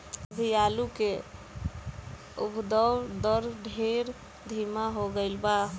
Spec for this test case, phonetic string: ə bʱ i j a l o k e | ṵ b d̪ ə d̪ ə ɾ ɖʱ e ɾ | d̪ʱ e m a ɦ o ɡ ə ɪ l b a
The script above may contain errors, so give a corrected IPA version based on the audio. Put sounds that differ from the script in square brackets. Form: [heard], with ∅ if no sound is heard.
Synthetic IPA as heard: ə bʱ i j a l [u] k e | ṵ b d̪ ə d̪ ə ɾ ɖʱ e ɾ | d̪ʱ [i] m a ɦ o ɡ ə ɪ l b a